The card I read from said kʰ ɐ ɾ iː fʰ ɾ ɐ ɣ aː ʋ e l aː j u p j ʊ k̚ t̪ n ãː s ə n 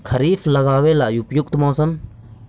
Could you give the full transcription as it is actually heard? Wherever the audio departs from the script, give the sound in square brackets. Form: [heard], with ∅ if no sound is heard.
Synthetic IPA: kʰ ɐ ɾ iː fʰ [l] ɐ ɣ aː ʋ e l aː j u p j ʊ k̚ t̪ [m] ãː s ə n